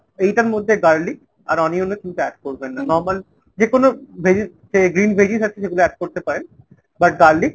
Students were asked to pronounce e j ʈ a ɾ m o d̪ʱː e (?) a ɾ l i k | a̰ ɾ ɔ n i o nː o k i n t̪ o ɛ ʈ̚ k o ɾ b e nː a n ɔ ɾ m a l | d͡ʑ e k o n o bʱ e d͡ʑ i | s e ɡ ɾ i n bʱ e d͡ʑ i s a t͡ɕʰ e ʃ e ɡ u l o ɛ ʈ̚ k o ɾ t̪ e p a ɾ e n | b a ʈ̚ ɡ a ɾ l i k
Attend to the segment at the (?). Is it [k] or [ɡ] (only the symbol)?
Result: ɡ